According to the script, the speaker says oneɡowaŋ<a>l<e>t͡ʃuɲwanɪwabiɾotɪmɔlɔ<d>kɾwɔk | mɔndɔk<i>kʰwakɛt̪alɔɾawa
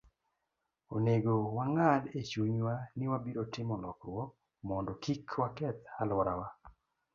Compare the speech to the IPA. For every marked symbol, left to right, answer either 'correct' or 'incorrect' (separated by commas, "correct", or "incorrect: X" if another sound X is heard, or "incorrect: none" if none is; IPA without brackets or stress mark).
correct, correct, incorrect: none, correct